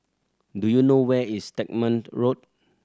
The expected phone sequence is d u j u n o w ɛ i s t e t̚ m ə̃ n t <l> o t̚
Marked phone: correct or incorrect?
incorrect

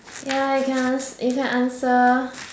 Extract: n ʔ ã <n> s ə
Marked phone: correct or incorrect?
correct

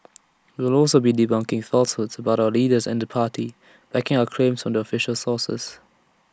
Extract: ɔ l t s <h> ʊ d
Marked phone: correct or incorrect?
correct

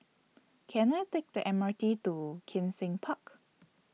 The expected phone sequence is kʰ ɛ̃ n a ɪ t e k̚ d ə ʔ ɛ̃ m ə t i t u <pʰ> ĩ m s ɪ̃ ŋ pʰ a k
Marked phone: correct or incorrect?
incorrect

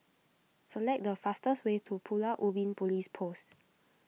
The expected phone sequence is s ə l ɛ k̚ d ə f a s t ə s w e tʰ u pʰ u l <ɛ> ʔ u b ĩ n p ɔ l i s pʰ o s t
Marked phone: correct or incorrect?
incorrect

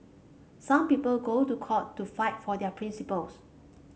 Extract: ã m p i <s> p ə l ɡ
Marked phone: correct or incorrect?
incorrect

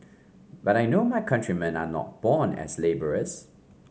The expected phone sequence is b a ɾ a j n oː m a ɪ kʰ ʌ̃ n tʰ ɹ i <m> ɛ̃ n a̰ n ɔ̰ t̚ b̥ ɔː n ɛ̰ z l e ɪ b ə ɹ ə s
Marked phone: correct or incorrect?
correct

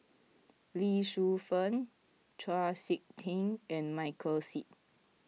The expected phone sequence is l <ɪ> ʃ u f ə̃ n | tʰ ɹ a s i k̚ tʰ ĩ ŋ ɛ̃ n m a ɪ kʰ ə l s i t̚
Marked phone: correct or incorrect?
incorrect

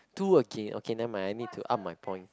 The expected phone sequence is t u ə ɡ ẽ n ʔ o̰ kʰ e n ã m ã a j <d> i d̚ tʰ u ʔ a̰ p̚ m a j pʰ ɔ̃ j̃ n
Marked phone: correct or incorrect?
incorrect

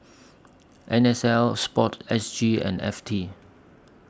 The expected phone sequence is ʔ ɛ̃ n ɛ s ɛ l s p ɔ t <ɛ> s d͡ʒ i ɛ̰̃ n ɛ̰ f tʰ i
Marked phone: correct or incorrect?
correct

